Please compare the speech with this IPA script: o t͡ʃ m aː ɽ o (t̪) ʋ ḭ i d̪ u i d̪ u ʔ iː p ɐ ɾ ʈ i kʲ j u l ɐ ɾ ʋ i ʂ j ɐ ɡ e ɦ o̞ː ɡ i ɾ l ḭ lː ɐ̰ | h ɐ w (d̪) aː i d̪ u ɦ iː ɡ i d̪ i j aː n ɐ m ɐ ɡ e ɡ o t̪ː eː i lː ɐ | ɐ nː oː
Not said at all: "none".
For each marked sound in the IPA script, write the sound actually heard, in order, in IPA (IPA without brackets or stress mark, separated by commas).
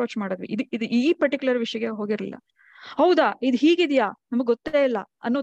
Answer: d̪, d̪